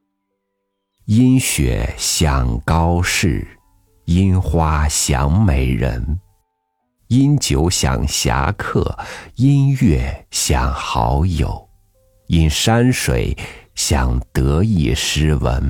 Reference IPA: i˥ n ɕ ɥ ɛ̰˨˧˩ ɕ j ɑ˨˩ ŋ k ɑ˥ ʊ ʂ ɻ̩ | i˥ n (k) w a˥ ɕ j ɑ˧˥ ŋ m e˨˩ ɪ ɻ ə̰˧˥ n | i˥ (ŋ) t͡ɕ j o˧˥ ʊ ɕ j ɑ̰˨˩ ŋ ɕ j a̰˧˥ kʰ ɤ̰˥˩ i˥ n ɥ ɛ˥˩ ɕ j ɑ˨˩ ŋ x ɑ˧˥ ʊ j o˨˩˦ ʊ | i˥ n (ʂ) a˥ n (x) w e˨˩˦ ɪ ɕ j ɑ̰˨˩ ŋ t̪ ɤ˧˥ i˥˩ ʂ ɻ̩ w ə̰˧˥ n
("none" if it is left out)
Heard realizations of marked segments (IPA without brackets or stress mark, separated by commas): x, n, ʂ, ʂ